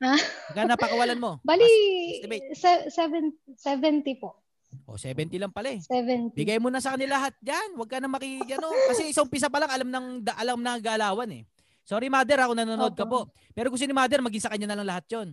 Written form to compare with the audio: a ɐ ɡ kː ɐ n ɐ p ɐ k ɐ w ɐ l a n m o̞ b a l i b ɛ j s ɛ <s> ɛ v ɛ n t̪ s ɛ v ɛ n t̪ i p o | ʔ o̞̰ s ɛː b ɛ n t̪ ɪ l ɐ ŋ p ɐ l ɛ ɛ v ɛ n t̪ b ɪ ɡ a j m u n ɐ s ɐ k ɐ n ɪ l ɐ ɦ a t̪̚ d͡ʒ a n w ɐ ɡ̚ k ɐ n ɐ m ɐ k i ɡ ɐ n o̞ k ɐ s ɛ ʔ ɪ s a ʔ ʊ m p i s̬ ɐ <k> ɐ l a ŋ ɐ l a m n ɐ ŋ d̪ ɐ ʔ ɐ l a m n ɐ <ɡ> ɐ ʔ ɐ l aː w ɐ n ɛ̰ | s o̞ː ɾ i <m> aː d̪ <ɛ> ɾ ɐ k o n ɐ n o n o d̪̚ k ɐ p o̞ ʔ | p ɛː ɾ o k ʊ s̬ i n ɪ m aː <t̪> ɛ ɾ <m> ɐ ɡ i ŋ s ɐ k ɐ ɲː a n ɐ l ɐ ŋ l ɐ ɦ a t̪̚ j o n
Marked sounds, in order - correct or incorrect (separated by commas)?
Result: correct, incorrect, correct, correct, correct, incorrect, correct